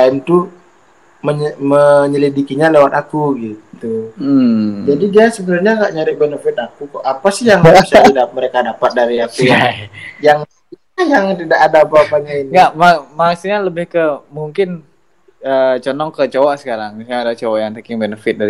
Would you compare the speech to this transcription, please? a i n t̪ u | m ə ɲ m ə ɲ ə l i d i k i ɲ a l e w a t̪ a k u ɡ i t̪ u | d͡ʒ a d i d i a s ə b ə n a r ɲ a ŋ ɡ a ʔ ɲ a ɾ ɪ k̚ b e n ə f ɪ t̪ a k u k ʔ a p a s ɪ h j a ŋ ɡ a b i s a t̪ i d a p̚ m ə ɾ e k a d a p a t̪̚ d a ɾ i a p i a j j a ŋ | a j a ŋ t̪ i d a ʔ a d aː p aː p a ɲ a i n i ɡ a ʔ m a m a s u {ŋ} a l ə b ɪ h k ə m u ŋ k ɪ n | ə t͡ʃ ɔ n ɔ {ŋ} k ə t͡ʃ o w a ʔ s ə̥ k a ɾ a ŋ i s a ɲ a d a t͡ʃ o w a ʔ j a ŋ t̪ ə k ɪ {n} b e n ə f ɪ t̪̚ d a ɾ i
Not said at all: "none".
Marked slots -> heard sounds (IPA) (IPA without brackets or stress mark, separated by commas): ɲ, ŋ, ŋ